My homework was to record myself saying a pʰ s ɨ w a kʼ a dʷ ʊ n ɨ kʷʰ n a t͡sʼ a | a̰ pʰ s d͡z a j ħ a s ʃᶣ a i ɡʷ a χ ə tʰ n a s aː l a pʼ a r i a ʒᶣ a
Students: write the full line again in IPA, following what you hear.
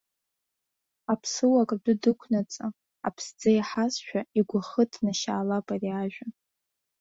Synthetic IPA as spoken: a pʰ s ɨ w a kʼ a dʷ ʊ d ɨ kʷʰ n a t͡sʼ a | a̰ pʰ s d͡z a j ħ a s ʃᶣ a i ɡʷ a χ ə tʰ n a ʃ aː l a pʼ a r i a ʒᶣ a